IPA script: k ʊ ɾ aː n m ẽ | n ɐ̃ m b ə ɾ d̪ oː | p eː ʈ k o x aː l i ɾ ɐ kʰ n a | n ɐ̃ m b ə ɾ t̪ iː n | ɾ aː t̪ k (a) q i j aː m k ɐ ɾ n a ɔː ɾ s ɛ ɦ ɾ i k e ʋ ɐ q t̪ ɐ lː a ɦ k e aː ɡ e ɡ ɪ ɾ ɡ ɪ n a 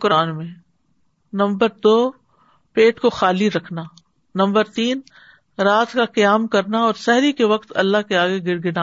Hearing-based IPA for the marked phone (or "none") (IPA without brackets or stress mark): a